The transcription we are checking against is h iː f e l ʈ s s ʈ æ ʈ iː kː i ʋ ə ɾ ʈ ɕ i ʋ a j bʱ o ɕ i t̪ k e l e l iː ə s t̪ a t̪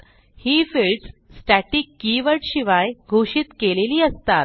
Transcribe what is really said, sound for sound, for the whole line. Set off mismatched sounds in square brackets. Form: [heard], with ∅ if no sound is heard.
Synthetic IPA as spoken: h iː f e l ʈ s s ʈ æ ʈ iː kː i ʋ ə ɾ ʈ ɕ i ʋ a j [ɡʱ] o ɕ i t̪ k e l e l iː ə s t̪ a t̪